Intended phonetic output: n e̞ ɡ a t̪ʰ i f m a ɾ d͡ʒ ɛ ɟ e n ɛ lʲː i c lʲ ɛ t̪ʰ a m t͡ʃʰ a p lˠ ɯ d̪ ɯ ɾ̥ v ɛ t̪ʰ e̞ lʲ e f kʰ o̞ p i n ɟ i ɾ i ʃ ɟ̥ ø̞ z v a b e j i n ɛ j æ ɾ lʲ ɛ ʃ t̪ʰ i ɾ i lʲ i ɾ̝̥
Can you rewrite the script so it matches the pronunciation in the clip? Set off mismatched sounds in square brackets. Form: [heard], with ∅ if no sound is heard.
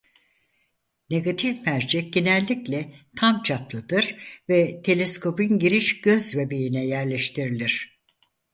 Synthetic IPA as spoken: n e̞ ɡ a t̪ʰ i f m [æ] ɾ d͡ʒ ɛ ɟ e n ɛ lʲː i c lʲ ɛ t̪ʰ a m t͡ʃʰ a p lˠ ɯ d̪ ɯ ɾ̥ v ɛ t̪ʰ e̞ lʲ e [s] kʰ o̞ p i n ɟ i ɾ i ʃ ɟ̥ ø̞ z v [e] b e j i n ɛ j æ ɾ lʲ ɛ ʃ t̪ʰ i ɾ i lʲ i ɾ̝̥